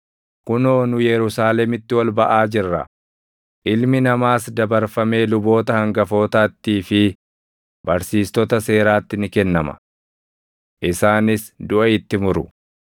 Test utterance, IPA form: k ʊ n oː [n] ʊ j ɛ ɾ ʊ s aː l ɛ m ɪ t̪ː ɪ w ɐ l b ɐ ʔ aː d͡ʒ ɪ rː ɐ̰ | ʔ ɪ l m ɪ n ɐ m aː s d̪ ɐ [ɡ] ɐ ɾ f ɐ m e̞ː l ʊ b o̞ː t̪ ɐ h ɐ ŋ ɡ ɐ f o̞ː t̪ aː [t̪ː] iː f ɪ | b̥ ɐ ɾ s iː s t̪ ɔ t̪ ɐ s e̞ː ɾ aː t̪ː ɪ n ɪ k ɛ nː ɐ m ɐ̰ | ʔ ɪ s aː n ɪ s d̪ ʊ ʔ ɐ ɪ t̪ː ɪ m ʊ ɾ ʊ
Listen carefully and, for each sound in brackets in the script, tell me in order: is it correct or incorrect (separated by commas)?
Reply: correct, incorrect, correct